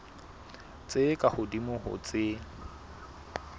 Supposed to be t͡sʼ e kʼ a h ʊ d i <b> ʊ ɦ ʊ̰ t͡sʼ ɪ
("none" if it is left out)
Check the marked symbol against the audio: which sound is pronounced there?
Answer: m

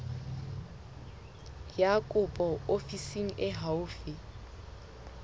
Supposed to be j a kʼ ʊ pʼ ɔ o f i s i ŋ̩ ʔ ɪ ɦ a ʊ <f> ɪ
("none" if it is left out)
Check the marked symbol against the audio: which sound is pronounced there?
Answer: f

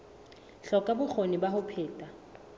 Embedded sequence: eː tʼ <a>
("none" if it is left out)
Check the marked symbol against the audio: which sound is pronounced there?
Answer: a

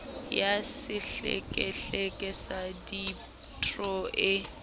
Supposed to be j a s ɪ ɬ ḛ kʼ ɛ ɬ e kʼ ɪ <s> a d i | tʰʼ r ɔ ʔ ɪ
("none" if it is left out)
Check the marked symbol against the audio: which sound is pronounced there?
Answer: s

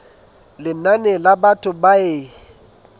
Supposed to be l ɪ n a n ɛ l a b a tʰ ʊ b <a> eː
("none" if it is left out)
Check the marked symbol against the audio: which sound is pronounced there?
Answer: a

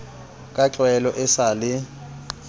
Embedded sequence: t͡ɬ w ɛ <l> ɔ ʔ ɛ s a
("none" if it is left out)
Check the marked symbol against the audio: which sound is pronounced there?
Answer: l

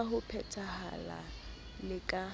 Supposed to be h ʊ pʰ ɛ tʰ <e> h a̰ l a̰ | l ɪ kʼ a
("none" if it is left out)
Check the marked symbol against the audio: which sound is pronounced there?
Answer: a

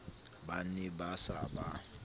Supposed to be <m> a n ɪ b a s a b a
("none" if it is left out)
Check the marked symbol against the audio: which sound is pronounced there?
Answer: b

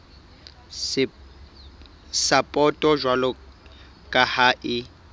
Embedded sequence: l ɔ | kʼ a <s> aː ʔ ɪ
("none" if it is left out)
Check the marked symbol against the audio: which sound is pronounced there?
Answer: h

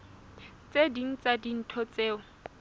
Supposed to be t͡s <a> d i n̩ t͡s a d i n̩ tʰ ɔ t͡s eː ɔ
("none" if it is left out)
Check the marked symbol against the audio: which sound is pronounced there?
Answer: e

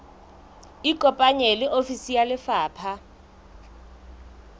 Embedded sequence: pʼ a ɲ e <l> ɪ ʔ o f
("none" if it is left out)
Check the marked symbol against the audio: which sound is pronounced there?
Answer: l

